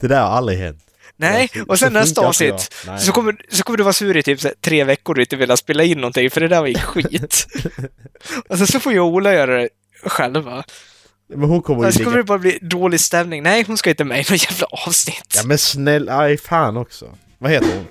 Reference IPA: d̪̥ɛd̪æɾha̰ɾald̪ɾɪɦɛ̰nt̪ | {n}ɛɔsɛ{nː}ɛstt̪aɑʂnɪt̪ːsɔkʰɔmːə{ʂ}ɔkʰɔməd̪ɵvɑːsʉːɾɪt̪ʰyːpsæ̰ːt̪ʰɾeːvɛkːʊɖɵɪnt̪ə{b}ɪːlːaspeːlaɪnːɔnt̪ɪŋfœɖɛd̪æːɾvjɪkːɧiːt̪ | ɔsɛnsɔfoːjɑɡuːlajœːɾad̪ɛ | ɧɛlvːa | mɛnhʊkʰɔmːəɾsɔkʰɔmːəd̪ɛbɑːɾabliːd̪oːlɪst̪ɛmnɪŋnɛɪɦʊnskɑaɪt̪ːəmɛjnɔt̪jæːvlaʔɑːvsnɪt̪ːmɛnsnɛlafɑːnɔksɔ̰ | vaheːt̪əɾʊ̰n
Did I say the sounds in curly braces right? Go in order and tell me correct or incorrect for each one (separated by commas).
correct, correct, incorrect, incorrect